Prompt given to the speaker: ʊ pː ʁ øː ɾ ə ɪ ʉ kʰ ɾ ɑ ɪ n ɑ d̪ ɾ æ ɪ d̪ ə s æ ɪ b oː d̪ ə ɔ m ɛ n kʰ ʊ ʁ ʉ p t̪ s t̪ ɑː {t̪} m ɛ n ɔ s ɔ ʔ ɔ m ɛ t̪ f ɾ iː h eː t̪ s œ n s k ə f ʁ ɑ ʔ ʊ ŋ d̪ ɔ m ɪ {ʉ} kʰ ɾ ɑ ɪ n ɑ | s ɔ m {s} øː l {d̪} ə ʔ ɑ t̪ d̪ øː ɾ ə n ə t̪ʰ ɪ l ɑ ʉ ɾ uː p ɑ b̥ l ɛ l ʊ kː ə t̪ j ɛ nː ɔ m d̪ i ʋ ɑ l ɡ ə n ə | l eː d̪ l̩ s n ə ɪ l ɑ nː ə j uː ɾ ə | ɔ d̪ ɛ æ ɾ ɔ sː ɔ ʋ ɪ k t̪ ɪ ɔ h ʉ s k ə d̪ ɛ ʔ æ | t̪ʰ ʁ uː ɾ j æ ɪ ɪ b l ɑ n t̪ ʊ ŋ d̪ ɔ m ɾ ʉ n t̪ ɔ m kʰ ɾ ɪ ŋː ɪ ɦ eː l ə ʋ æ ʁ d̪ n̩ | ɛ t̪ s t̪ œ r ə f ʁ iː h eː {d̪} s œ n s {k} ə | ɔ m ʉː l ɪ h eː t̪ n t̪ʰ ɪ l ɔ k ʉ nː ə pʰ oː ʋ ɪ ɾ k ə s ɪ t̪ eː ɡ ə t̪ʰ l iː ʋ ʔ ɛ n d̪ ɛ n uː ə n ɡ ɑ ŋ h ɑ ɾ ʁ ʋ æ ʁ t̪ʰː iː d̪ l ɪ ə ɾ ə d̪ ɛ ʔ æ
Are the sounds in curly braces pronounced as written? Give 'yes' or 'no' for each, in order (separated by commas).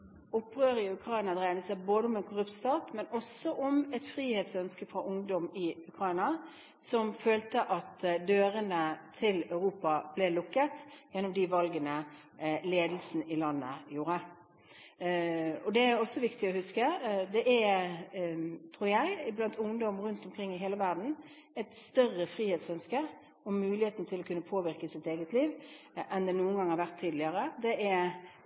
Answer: yes, yes, no, no, no, yes